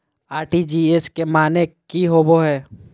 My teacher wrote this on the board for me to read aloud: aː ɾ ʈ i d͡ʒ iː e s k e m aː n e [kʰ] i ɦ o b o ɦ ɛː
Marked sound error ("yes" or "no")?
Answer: yes